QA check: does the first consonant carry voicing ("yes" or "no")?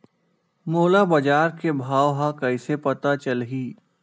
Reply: yes